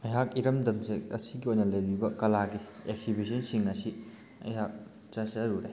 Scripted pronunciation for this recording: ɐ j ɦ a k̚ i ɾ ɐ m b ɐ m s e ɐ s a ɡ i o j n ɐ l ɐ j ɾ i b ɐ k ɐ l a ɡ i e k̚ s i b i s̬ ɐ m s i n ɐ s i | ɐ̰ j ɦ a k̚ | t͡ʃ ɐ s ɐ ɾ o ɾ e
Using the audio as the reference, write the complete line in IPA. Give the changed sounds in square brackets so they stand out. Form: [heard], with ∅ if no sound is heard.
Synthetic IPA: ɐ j ɦ a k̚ i ɾ ɐ m [d] ɐ m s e ɐ s [i] ɡ i o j n ɐ l ɐ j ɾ i b ɐ k ɐ l a ɡ i e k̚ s i b i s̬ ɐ [n] s i [ŋ] ɐ s i | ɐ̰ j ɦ a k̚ | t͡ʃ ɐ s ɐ ɾ [u] ɾ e